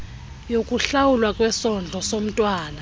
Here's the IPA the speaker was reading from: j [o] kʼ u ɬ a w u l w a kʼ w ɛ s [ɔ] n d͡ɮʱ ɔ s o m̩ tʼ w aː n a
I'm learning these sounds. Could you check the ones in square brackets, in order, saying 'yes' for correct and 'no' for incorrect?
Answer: yes, yes

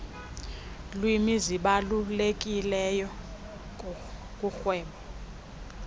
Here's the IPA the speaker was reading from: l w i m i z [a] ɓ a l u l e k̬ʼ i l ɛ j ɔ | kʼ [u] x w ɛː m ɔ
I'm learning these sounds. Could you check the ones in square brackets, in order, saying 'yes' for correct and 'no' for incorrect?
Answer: no, yes

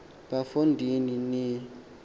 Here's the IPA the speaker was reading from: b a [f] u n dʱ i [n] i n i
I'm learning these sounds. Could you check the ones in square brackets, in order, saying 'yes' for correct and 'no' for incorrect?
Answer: yes, yes

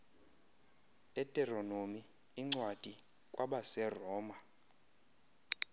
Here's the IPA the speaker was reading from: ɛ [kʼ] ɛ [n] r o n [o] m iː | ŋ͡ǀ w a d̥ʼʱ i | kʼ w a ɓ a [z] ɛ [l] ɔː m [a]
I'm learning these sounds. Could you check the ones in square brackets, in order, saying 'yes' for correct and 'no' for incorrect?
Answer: no, no, yes, no, no, yes

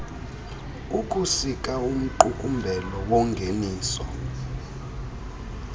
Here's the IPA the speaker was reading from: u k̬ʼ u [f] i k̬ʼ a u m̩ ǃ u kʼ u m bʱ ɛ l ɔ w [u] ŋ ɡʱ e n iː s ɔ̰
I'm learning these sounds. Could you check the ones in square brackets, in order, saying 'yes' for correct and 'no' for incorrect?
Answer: no, no

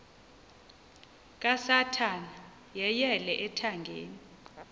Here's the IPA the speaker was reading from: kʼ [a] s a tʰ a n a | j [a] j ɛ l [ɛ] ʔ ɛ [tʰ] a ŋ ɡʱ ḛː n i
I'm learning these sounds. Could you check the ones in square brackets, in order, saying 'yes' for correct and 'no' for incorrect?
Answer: yes, no, yes, yes

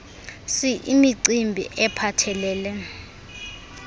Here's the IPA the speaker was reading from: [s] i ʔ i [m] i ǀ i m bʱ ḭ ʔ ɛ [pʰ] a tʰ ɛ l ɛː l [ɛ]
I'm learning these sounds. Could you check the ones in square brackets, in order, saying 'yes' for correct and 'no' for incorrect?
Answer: yes, yes, yes, yes

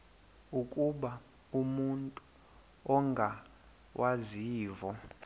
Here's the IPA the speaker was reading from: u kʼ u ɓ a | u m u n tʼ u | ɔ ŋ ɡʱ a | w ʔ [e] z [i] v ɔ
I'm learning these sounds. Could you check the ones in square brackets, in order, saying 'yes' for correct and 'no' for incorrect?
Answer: no, no

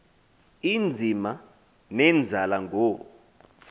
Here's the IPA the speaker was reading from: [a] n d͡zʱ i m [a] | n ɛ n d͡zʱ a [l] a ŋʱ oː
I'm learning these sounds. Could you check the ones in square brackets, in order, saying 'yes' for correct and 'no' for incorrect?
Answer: no, yes, yes

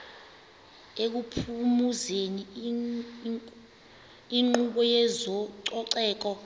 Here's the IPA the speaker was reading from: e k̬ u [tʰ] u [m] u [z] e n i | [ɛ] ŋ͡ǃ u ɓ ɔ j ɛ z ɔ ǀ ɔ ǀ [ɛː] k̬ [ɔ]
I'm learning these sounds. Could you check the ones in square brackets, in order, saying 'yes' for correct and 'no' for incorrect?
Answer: no, yes, yes, no, yes, yes

